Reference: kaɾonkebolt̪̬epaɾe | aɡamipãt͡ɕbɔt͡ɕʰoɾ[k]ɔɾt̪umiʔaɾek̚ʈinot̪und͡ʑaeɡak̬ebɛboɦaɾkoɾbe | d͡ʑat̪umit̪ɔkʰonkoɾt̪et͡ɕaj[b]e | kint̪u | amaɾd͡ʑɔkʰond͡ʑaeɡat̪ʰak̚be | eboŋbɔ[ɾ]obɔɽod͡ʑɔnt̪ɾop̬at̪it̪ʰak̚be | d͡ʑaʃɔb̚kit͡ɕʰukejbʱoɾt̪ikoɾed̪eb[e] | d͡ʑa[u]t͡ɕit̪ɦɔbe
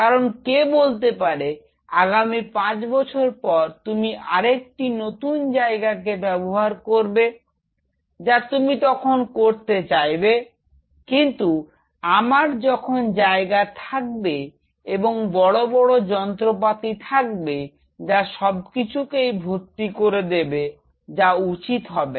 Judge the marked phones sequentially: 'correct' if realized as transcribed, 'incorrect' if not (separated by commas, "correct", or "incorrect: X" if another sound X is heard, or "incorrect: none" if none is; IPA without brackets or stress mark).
incorrect: p, correct, incorrect: ɽ, correct, correct